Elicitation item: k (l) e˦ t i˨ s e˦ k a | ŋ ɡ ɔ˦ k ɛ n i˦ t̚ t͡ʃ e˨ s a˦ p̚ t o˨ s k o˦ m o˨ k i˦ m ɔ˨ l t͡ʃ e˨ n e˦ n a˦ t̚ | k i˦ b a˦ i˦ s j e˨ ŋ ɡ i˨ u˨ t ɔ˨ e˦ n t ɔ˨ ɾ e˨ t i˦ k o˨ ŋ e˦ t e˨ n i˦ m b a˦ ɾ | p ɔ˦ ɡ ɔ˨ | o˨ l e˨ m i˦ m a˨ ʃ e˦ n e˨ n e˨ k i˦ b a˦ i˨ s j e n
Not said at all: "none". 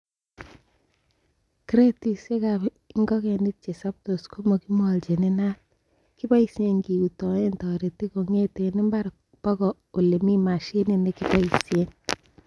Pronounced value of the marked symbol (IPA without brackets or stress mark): ɾ